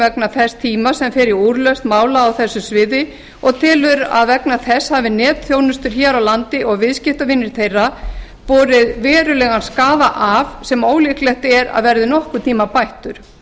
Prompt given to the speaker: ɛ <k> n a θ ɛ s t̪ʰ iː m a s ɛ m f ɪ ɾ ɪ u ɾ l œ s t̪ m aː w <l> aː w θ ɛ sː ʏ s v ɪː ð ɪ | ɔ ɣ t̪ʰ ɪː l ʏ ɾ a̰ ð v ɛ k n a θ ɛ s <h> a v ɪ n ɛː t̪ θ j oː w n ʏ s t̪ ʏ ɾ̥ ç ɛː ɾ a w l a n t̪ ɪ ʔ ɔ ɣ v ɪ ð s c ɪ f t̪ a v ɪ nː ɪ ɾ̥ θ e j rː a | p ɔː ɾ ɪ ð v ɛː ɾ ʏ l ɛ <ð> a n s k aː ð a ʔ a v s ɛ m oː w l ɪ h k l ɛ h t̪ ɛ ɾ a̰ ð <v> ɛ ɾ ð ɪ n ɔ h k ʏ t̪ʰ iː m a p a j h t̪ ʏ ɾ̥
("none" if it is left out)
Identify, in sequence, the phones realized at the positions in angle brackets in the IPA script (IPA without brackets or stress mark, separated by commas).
k, l, h, ɣ, v